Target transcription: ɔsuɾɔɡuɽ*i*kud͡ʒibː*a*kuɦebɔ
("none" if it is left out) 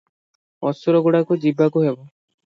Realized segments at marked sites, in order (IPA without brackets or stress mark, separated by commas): a, a